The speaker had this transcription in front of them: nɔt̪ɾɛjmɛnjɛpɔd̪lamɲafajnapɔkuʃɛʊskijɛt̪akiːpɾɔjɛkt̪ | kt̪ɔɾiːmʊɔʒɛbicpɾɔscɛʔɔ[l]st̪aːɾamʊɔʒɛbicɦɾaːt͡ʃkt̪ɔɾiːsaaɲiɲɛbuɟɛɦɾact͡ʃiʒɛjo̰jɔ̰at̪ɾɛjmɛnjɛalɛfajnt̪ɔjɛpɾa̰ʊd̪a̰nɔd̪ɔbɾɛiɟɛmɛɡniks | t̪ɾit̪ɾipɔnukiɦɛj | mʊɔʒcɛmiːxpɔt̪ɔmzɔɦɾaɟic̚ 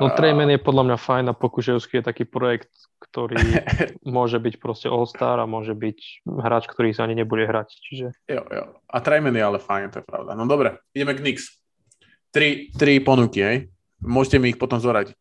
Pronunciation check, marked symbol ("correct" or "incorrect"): correct